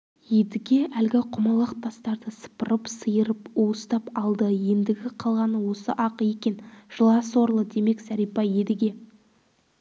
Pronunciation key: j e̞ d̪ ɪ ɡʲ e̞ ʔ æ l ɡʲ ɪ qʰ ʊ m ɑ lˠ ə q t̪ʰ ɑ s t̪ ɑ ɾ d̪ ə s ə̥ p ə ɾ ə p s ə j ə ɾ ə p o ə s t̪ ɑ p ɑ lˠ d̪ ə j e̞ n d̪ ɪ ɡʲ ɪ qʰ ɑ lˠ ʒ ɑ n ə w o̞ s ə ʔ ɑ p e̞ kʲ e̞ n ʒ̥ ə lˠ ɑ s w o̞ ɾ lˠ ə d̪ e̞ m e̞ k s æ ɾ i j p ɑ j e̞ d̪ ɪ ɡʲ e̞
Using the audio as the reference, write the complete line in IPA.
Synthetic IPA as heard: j e̞ d̪ ɪ ɡʲ e̞ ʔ æ l ɡʲ ɪ qʰ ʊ m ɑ lˠ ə q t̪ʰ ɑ s t̪ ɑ ɾ d̪ ə s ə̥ p ə ɾ ə p s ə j ə ɾ ə p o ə s t̪ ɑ p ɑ lˠ d̪ ə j e̞ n d̪ ɪ ɡʲ ɪ qʰ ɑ lˠ ʁ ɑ n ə w o̞ s ə ʔ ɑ q e̞ kʲ e̞ n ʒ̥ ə lˠ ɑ s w o̞ ɾ lˠ ə d̪ e̞ m e̞ k s æ ɾ i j p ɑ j e̞ d̪ ɪ ɡʲ e̞